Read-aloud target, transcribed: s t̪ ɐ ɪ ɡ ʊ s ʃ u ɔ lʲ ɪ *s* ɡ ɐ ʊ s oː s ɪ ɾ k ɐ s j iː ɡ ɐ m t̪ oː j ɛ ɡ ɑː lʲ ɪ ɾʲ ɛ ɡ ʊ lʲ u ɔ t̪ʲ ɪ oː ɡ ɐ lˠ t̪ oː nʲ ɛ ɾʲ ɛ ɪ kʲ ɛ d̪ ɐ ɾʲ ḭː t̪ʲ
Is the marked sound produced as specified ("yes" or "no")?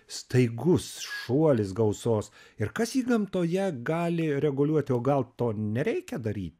yes